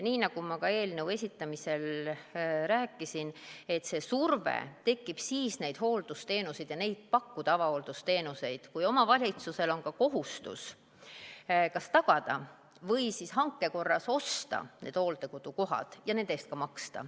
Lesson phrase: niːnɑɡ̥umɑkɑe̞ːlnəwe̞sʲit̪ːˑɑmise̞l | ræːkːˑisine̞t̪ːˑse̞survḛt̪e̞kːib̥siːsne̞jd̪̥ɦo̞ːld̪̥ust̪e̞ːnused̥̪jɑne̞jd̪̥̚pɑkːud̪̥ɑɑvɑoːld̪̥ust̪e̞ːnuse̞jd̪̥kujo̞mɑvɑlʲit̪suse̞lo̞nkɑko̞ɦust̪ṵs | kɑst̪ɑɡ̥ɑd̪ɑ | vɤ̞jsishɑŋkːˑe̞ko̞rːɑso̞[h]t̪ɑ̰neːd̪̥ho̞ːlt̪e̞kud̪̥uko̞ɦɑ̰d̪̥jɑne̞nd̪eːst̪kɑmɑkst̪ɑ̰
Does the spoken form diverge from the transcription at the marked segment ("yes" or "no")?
yes